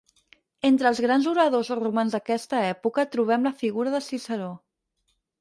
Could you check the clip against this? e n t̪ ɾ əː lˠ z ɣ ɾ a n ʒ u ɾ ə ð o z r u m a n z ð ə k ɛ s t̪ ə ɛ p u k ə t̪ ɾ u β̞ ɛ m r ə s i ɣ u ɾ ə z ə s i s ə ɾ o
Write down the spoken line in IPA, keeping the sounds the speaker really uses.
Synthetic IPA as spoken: e n t̪ ɾ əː lˠ z ɣ ɾ a n z u ɾ ə ð o z r u m a n z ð ə k ɛ s t̪ ə ɛ p u k ə t̪ ɾ u β̞ ɛ m l ə f i ɣ u ɾ ə ð ə s i s ə ɾ o